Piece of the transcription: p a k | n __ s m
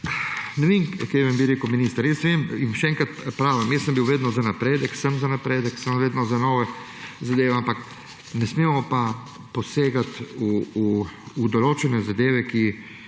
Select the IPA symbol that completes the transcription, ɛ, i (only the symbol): ɛ